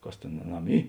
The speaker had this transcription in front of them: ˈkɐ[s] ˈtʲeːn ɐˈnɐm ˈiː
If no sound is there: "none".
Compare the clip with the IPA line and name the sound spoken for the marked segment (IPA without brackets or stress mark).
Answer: s